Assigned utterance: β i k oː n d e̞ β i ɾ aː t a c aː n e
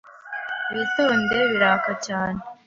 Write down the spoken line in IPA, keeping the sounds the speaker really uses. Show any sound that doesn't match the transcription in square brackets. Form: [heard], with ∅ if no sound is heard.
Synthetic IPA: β i [t] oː n d e̞ β i ɾ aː [k] a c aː n e

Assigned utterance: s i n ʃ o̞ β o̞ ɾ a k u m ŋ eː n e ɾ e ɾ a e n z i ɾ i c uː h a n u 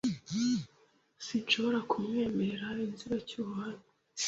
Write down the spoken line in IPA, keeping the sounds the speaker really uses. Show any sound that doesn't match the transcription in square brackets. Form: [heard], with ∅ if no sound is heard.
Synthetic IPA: s i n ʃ o̞ β o̞ ɾ a k u m ŋ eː [m] e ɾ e ɾ a [i] n z i ɾ [a] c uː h a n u

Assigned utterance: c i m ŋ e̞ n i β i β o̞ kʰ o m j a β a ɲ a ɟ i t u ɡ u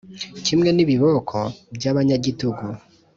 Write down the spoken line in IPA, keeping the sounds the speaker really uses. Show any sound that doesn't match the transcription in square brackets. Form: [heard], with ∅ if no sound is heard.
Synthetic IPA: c i m ŋ e̞ n i β i β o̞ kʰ o [b] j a β a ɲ a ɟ i t u ɡ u

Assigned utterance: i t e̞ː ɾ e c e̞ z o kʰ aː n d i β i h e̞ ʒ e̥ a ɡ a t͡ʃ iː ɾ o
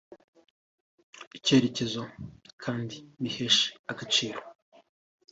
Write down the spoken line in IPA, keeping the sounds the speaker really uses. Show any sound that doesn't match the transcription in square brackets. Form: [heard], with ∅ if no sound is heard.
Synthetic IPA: i [c] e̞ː ɾ e c e̞ z o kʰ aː n d i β i h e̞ [ʃ] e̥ a ɡ a t͡ʃ iː ɾ o

